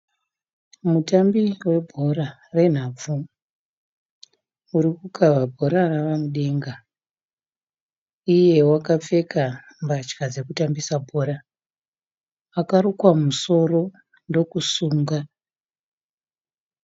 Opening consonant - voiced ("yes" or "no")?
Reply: yes